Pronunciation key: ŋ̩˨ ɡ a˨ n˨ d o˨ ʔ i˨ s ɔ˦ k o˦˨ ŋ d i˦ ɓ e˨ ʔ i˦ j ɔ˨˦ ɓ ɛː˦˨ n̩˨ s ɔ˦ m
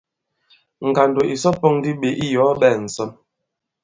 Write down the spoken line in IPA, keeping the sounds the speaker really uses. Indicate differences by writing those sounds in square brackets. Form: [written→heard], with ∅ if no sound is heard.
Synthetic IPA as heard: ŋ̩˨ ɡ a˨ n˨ d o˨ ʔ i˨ s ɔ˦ [k→p] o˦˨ ŋ d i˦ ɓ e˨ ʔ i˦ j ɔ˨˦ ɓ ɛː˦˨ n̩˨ s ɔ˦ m

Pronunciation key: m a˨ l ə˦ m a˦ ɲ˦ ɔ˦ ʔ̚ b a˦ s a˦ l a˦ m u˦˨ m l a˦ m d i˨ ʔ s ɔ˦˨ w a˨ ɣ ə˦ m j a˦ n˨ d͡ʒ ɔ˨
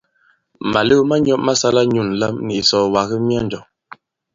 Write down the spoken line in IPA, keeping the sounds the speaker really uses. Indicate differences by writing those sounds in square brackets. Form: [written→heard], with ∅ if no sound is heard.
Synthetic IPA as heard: m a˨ l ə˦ m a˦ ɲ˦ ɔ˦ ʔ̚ [b→m] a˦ s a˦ l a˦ [m→ɲ] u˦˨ [m→n] l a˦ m [d→n] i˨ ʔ s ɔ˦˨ w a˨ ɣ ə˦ m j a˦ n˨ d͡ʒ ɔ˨

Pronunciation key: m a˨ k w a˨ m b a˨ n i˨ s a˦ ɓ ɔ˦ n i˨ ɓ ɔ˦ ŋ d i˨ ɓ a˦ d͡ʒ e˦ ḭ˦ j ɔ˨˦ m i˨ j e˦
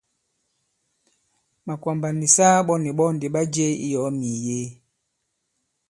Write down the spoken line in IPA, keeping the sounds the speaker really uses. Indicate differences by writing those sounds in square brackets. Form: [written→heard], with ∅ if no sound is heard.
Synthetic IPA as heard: m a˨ k w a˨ m b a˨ n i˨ s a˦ ɓ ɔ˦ n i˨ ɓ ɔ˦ [ŋ→n] d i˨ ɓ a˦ d͡ʒ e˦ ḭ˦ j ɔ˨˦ m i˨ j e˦

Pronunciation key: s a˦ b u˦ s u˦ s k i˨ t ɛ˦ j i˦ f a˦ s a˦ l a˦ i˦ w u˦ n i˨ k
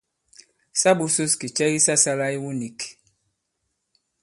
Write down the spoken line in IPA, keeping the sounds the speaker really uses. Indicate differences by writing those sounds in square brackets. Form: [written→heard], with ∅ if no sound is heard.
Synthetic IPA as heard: s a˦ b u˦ s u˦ s k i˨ [t→t͡ʃ] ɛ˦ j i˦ [f→s] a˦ s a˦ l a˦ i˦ w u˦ n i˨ k

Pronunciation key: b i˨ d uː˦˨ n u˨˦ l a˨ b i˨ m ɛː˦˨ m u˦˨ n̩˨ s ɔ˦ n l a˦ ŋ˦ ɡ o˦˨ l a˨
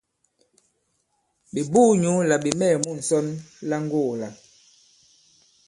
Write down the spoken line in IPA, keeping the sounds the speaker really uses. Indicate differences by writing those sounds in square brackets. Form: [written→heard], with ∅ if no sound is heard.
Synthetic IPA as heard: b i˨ [d→b] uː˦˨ [n→ɲ] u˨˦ l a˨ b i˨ m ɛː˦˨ m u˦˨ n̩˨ s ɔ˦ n l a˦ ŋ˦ ɡ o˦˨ l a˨

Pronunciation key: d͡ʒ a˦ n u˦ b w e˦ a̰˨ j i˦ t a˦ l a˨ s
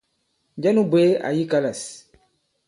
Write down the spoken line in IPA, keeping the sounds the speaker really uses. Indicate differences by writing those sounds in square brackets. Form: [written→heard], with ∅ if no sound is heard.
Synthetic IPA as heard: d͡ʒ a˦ n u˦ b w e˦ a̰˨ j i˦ [t→k] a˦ l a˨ s

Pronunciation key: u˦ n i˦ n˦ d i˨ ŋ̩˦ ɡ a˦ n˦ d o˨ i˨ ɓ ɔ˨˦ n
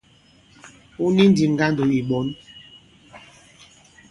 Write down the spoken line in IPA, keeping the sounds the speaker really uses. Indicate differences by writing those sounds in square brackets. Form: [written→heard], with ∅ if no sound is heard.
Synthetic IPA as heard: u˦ n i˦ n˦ d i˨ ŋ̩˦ ɡ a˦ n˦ d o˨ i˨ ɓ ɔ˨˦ n

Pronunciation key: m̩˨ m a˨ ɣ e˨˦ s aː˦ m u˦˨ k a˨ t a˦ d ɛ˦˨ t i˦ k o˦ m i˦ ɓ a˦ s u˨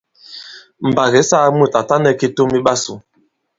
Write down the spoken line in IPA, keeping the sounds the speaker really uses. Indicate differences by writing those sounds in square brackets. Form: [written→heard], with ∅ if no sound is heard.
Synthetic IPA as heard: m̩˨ [m→b] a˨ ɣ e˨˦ s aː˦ m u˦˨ [k→t] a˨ t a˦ [d→n] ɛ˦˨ [t→k] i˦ [k→t] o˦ m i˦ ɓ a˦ s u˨

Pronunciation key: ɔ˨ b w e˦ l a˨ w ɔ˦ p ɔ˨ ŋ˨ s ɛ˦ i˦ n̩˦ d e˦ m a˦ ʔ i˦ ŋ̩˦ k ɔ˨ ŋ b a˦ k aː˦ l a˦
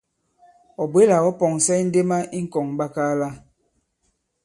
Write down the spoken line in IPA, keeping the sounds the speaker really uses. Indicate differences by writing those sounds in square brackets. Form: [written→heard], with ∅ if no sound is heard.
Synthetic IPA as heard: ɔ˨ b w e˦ l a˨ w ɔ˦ p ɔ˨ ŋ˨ s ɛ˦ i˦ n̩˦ d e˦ m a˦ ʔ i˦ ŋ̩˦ k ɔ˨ ŋ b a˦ k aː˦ l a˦

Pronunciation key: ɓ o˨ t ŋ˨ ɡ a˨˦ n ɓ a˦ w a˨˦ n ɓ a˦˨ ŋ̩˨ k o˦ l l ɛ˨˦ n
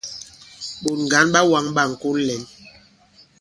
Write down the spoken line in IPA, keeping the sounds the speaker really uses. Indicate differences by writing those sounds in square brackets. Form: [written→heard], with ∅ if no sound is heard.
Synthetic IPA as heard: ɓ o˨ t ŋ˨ ɡ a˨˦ n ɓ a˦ w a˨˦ [n→ŋ] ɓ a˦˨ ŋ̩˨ k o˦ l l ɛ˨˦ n

